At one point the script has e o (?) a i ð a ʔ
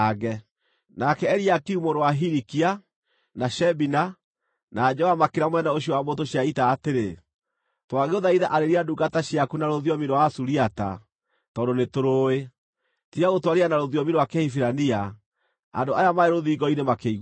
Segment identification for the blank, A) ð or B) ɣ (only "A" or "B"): A